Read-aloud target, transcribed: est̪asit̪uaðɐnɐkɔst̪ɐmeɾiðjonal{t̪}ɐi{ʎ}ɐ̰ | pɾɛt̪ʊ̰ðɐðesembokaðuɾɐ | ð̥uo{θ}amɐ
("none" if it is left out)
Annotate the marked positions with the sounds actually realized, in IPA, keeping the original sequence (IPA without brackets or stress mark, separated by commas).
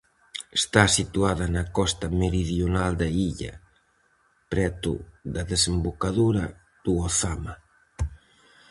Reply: d̪, ʎ, θ